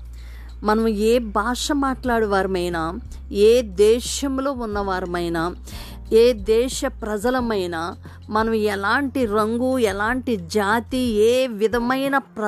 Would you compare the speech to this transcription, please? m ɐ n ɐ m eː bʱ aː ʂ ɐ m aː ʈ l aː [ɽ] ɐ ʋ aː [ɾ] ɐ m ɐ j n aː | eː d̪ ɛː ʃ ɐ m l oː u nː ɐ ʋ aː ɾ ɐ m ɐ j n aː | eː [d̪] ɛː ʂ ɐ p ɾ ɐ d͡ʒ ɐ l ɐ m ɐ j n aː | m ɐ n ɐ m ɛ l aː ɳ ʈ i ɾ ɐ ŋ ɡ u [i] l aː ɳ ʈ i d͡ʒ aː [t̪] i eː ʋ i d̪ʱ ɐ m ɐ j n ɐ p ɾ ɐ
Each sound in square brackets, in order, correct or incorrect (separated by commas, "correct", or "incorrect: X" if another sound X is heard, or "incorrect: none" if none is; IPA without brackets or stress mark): correct, correct, correct, incorrect: ɛ, correct